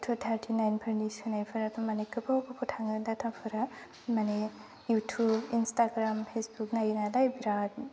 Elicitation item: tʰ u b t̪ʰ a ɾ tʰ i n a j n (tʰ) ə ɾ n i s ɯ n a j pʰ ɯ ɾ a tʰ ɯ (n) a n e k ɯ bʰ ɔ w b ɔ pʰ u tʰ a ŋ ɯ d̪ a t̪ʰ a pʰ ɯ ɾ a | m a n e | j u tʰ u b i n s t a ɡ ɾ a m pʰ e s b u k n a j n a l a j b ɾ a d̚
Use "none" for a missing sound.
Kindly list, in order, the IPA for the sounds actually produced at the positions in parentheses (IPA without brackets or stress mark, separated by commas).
pʰ, m